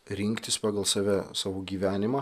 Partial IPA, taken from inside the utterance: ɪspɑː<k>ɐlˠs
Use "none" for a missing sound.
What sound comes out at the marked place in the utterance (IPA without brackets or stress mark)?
ɡ